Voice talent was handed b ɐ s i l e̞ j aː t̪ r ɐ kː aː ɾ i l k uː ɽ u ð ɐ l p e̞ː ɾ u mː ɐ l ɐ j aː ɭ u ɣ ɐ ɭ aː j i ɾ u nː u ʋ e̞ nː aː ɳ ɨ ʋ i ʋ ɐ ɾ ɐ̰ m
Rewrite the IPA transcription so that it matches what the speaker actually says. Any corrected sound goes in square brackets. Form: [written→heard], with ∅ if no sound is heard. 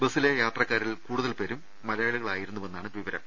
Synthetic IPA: b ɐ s i l e̞ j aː t̪ r ɐ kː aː ɾ i l k uː ɽ u ð ɐ l p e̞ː ɾ u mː ɐ l ɐ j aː ɭ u ɣ ɐ ɭ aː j i ɾ u nː u ʋ e̞ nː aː ɳ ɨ ʋ i ʋ ɐ ɾ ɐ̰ m